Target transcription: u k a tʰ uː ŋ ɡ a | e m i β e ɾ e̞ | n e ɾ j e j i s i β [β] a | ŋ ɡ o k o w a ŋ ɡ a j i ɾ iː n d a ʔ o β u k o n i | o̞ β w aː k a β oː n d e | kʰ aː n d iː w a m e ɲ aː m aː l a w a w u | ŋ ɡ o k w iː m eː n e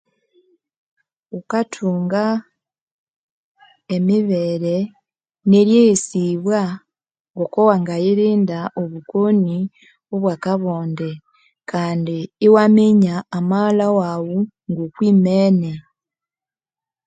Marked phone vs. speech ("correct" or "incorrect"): incorrect